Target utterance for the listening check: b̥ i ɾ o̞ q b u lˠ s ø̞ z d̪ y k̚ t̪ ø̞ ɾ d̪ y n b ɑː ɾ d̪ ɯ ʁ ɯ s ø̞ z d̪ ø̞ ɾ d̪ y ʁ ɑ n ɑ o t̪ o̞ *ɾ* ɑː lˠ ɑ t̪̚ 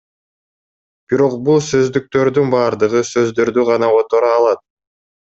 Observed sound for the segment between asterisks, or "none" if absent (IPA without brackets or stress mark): ɾ